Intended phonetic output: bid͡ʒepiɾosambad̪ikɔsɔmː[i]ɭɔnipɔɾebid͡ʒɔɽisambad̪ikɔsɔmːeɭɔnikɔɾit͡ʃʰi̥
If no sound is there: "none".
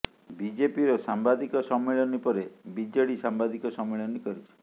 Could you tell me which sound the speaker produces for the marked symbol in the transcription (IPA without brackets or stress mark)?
e